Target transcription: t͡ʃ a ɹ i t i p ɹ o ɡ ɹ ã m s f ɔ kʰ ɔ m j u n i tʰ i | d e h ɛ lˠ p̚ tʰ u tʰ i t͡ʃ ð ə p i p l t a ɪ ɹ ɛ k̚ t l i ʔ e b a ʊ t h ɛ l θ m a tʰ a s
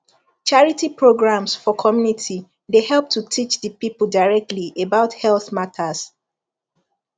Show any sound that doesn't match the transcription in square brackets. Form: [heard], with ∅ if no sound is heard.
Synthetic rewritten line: t͡ʃ a ɹ i t i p ɹ o ɡ ɹ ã m s f ɔ kʰ ɔ m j u n i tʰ i | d e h ɛ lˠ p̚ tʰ u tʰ i t͡ʃ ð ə p i p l [d] a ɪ ɹ ɛ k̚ t l i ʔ e b a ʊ t h ɛ l θ m a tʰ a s